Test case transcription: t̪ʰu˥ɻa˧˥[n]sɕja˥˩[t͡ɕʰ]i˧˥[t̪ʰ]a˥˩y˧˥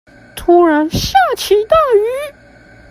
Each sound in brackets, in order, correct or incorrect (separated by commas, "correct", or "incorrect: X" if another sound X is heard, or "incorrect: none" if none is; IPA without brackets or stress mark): correct, correct, incorrect: t̪